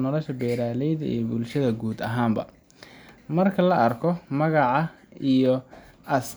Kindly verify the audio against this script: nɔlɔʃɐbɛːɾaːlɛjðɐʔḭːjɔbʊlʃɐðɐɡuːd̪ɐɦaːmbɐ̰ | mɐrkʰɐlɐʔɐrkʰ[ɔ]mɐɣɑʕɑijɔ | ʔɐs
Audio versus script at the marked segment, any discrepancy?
no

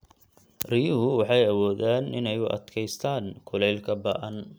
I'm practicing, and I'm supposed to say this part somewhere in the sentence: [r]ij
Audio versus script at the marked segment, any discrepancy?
no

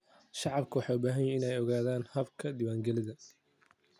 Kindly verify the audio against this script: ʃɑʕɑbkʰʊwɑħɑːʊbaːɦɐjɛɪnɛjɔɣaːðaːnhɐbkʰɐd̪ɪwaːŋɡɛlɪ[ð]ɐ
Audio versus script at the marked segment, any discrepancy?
no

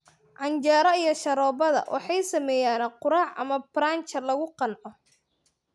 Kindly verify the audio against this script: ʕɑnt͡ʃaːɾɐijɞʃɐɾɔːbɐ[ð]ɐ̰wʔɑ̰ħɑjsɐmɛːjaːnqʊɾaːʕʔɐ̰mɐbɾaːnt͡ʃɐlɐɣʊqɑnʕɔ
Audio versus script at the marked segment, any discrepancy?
no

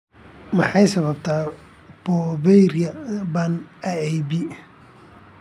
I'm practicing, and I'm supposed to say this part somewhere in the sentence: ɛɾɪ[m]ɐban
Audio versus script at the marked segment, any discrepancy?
yes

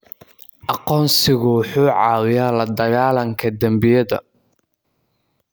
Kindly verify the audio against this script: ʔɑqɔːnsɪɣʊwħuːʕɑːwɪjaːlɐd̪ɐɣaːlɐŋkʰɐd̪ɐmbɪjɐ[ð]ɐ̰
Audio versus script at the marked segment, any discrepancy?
no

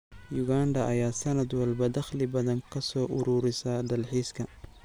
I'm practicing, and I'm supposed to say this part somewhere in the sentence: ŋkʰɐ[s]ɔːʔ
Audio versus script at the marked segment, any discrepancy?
no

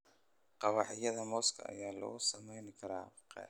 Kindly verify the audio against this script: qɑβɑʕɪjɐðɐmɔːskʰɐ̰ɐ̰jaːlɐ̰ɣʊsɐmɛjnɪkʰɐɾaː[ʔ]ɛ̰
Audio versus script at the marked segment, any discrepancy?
yes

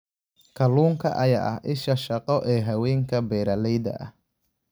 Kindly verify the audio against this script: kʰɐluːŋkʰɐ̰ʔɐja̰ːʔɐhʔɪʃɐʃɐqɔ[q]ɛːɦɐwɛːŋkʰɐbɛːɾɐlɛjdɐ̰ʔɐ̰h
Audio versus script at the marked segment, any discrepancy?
yes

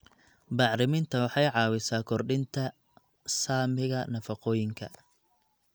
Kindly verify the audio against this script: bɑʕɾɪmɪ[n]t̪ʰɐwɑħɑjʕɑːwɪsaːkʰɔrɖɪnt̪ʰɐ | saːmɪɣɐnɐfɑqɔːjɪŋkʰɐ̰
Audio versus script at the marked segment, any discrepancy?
no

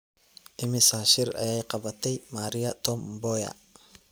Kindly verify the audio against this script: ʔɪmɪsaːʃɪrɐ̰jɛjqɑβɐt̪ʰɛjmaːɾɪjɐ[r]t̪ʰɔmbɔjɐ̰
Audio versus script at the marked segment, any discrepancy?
yes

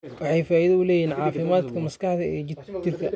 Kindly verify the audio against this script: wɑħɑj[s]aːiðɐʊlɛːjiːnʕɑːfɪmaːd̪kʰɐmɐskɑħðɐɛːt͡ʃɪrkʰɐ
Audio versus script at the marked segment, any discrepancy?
yes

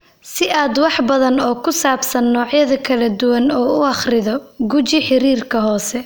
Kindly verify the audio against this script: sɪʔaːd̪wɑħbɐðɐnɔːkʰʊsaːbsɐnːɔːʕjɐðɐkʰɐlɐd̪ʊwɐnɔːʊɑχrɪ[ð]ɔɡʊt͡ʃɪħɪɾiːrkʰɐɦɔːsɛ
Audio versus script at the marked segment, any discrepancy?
no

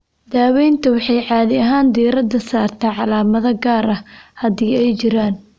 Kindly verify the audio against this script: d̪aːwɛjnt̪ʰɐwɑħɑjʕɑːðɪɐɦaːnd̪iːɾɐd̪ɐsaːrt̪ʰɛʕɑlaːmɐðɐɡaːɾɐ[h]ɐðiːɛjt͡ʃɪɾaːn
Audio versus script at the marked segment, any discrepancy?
no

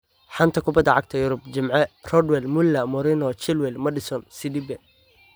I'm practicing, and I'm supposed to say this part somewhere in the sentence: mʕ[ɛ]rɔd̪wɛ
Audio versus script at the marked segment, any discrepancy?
no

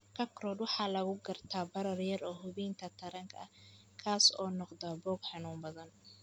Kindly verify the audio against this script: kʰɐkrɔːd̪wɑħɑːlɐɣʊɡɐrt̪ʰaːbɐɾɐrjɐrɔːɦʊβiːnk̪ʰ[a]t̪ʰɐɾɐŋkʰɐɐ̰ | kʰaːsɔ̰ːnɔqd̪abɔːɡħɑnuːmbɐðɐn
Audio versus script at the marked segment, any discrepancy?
yes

